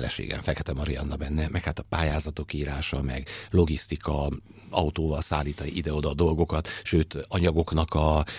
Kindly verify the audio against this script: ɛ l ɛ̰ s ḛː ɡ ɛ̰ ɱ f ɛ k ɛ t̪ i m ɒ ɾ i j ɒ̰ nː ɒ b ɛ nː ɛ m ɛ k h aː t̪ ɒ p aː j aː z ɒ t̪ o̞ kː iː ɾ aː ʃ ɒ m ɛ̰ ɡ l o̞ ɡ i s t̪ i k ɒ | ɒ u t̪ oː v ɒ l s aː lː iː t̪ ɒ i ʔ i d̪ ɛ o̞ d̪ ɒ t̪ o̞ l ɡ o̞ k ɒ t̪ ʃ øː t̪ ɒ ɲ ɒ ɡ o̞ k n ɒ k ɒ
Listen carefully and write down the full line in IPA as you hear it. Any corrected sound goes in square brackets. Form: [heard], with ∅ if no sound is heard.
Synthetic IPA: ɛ l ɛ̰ [ʃ] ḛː ɡ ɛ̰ ɱ f ɛ k ɛ t̪ [ɛ] m ɒ ɾ i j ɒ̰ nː ɒ b ɛ nː ɛ m ɛ k h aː t̪ ɒ p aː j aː z ɒ t̪ o̞ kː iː ɾ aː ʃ ɒ m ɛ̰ ɡ l o̞ ɡ i s t̪ i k ɒ | ɒ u t̪ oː v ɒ l s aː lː iː t̪ ɒ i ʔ i d̪ ɛ o̞ d̪ ɒ [d̪] o̞ l ɡ o̞ k ɒ t̪ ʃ øː t̪ ɒ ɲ ɒ ɡ o̞ k n ɒ k ɒ